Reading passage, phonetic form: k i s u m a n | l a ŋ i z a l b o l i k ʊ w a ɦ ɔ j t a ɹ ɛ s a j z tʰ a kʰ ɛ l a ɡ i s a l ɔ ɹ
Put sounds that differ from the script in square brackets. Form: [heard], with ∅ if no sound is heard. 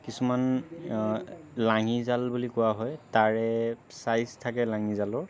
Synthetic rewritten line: k i s u m a n | l a ŋ i z a l b [u] l i k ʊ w a ɦ ɔ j t a ɹ ɛ s a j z tʰ a [k] ɛ l a [ŋ] i [z] a l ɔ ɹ